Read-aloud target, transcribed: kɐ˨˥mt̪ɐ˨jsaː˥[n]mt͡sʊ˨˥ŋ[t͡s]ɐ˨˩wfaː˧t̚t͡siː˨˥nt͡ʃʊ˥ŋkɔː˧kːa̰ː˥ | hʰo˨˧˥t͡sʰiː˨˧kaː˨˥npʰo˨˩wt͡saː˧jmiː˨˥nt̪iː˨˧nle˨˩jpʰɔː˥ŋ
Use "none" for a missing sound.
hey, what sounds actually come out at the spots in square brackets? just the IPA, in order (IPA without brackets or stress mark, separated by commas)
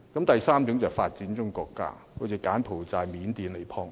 none, t͡s